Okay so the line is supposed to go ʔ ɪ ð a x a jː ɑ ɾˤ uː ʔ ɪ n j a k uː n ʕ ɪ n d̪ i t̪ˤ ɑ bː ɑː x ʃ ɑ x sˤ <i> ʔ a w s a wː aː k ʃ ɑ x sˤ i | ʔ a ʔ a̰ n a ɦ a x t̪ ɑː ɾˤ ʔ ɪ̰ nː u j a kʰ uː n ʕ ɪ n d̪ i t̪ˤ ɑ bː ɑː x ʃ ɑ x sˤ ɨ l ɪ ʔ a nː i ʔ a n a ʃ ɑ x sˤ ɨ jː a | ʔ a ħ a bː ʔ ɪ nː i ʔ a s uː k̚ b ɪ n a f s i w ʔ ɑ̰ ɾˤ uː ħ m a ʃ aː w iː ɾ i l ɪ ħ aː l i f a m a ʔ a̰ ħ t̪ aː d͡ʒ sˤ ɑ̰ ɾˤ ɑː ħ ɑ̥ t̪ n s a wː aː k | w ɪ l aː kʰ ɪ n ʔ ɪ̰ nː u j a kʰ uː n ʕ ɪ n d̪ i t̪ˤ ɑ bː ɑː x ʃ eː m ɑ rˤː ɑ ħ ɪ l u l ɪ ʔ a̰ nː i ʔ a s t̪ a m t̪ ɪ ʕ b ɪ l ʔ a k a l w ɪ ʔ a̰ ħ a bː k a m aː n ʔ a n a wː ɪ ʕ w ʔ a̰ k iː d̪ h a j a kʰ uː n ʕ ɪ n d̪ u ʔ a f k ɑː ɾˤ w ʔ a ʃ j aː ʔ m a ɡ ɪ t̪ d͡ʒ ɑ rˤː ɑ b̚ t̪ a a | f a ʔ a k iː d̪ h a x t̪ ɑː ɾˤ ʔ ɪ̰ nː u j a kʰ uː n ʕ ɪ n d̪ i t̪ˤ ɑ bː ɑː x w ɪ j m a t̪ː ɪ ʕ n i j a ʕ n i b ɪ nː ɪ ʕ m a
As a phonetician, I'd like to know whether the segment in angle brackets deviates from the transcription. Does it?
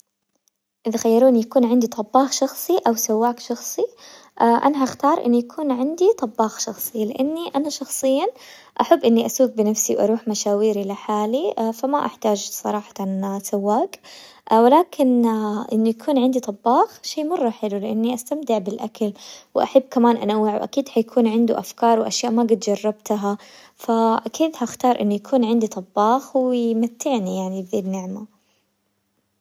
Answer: no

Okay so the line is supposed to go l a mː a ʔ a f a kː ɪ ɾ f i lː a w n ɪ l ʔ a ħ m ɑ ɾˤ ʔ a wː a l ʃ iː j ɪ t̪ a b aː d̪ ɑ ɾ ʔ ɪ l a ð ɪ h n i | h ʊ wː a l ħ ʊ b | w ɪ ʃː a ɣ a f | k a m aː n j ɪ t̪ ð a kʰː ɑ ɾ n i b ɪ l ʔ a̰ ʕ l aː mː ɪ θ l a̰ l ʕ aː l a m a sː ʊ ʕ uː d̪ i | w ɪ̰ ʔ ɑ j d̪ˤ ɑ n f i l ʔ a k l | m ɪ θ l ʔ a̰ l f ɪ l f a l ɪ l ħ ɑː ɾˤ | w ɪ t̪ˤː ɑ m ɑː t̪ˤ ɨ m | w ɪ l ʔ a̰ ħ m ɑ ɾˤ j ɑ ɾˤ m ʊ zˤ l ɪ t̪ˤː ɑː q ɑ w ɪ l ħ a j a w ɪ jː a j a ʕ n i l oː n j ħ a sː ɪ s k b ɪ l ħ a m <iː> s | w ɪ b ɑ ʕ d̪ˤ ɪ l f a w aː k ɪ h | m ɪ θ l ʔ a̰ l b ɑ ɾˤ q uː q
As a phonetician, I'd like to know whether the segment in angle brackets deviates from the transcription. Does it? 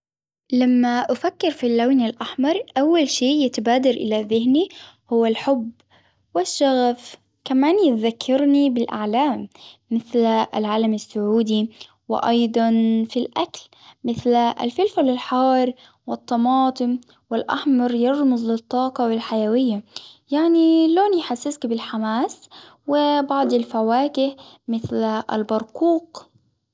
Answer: yes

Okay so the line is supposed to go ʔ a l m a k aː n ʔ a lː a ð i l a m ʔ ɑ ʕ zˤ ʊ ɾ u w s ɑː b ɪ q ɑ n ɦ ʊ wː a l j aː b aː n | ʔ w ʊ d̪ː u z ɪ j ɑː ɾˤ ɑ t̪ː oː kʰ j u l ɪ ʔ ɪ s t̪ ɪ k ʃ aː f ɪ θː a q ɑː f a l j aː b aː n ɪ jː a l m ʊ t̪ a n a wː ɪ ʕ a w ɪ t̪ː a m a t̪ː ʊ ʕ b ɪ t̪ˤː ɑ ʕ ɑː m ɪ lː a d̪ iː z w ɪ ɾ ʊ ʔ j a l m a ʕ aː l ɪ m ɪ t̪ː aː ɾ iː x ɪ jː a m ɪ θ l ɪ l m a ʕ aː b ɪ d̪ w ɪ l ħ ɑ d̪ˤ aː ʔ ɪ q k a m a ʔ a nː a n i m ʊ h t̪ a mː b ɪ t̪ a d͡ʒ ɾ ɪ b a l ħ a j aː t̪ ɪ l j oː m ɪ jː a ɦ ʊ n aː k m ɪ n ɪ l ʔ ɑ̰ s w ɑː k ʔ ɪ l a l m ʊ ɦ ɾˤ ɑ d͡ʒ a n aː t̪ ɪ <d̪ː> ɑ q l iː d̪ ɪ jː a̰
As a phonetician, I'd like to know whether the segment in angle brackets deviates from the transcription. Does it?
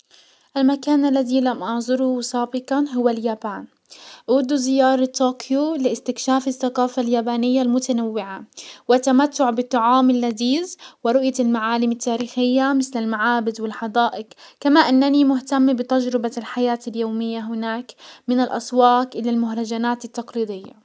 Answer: yes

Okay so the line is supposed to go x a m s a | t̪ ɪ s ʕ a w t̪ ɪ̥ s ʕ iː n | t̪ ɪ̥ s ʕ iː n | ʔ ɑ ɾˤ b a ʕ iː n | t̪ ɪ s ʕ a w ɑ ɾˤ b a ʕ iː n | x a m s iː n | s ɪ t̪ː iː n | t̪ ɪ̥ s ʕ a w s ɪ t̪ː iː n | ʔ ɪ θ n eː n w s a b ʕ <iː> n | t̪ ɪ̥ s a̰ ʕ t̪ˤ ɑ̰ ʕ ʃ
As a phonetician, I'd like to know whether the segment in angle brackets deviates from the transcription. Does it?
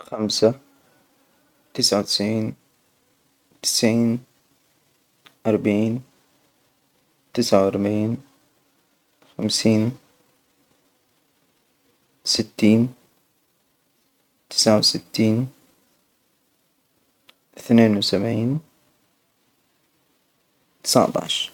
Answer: no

